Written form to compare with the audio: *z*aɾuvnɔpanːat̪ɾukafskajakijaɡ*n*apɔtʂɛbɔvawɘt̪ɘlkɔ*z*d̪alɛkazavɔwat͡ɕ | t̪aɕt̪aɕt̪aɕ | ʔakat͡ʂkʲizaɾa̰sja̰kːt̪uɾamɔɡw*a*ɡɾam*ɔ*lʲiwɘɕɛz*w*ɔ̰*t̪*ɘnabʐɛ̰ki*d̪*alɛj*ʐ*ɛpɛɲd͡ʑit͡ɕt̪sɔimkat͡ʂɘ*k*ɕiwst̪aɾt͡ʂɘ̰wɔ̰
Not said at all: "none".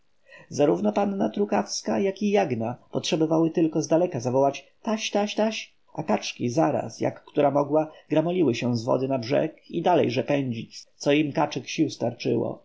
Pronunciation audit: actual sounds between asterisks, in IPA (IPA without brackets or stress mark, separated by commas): z, n, z, a, ɔ, v, d̪, d̪, ʐ, k